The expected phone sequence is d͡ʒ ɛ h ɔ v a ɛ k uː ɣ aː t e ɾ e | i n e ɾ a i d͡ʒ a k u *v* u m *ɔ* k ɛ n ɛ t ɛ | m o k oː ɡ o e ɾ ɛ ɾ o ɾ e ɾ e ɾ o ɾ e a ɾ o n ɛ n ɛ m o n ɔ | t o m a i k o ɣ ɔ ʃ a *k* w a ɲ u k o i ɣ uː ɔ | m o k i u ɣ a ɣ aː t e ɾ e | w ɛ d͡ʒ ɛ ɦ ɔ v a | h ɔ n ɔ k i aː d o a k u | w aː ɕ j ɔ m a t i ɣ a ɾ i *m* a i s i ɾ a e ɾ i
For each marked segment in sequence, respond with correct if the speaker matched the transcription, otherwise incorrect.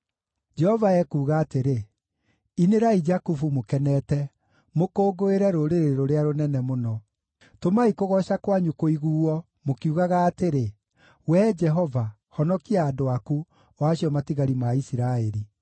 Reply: incorrect: f, incorrect: o, correct, correct

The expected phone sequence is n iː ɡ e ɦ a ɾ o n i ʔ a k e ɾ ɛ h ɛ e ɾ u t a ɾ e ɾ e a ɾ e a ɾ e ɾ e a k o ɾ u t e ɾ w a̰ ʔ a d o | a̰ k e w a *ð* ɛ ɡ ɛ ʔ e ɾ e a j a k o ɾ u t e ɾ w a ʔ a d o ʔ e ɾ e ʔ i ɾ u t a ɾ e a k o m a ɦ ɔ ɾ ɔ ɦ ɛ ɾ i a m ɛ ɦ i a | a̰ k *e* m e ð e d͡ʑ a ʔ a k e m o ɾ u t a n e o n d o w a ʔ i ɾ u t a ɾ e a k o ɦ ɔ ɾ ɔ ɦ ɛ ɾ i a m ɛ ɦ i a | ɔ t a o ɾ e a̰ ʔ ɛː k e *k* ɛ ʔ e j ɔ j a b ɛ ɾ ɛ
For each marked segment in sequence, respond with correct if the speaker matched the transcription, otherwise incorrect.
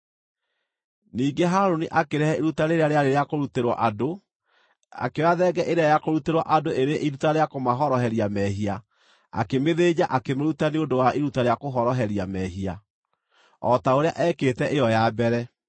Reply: correct, correct, incorrect: t

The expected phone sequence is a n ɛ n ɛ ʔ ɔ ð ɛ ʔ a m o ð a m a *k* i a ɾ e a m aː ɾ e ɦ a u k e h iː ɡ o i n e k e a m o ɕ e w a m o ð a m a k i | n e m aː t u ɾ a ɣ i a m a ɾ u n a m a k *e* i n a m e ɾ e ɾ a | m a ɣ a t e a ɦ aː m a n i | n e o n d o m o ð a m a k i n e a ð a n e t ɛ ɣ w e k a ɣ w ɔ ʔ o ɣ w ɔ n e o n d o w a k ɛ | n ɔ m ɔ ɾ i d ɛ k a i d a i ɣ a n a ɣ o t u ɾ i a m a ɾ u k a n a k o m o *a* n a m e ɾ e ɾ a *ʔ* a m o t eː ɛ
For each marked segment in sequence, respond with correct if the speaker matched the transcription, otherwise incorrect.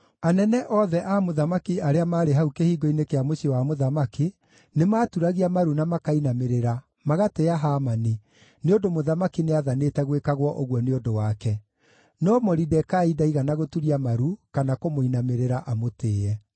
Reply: correct, incorrect: a, incorrect: i, correct

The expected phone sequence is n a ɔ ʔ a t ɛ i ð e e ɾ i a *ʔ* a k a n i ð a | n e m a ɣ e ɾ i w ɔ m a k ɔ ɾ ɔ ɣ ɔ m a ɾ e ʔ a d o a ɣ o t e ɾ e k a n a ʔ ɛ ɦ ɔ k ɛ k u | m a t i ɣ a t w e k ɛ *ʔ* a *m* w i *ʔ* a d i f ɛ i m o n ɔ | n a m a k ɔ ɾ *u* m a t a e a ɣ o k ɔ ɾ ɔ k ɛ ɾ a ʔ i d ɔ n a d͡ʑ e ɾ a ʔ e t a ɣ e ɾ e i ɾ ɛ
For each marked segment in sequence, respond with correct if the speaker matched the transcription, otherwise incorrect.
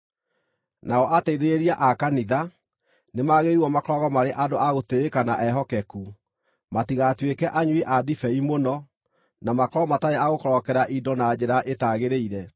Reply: correct, correct, incorrect: ɲ, correct, incorrect: ɔ

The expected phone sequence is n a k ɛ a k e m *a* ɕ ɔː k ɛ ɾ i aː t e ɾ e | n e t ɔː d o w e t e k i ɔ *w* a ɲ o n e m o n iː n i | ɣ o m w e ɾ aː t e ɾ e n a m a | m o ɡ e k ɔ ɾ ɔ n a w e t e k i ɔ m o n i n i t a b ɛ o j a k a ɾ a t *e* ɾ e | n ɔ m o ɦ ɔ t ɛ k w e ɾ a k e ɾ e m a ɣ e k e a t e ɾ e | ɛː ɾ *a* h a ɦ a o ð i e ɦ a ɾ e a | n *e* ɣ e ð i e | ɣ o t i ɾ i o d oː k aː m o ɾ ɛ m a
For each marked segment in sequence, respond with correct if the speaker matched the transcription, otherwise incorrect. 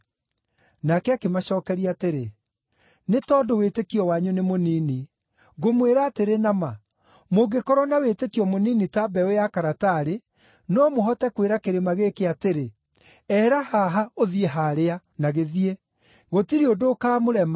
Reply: correct, correct, incorrect: a, correct, incorrect: a

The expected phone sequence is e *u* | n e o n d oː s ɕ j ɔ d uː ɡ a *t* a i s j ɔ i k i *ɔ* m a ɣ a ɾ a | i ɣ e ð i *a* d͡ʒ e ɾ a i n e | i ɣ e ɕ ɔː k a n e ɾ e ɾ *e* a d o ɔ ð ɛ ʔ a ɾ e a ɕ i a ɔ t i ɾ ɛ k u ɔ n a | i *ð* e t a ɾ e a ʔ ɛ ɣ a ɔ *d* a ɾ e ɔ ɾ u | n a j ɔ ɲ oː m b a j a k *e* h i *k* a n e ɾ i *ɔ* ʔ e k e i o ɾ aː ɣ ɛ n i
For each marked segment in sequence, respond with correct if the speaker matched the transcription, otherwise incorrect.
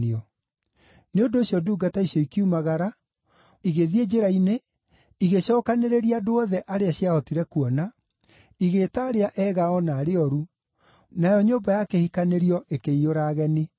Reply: incorrect: ɔ, correct, incorrect: u, incorrect: e, incorrect: i, incorrect: ɣ, incorrect: n, correct, correct, correct

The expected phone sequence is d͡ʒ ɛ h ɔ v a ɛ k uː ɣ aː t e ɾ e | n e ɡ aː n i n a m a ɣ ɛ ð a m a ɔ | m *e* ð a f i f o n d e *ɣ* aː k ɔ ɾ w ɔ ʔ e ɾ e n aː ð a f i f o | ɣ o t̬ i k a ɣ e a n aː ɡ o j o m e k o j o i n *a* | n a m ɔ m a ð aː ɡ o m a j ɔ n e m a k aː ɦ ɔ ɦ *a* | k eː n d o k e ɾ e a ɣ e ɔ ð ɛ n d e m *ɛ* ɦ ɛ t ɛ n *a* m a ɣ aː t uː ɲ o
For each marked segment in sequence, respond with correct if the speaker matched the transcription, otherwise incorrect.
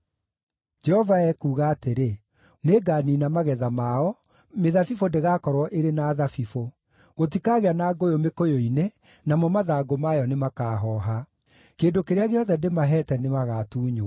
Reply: correct, correct, incorrect: e, correct, incorrect: a, incorrect: e

